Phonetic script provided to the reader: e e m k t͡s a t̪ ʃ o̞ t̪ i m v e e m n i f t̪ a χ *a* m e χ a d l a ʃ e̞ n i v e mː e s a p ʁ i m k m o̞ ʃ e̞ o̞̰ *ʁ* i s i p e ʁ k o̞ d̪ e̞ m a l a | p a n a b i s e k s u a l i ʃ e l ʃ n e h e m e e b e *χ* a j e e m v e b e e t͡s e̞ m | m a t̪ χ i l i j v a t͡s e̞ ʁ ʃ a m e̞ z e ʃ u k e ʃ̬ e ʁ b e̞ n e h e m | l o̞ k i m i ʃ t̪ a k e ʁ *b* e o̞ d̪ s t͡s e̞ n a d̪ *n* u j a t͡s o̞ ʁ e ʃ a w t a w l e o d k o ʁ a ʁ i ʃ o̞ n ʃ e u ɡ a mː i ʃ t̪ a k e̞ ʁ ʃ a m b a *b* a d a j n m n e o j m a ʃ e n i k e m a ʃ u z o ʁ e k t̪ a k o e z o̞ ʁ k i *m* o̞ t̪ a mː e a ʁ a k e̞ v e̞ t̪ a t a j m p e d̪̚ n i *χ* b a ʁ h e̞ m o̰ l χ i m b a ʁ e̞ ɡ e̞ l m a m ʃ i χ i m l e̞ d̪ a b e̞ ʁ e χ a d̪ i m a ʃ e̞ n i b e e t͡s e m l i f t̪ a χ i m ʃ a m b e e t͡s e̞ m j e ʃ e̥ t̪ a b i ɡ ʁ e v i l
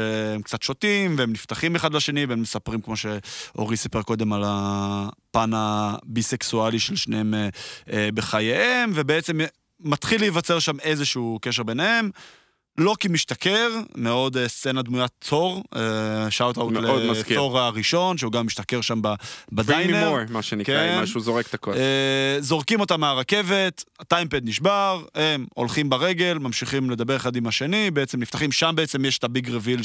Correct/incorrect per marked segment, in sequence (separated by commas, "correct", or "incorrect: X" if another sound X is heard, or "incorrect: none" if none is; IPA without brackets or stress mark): incorrect: i, correct, correct, incorrect: m, incorrect: m, correct, correct, incorrect: ʃ